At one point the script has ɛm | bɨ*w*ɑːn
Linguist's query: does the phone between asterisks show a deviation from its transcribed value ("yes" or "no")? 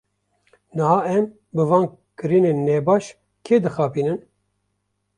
yes